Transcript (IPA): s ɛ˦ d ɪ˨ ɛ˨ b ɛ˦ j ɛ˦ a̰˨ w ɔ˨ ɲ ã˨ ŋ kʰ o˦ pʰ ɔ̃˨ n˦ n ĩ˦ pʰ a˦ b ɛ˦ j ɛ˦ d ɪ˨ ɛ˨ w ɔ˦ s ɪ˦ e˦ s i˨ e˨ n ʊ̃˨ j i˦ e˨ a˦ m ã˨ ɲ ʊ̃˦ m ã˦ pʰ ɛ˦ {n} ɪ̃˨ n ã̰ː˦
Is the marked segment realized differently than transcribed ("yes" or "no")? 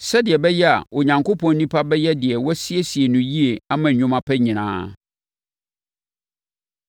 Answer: yes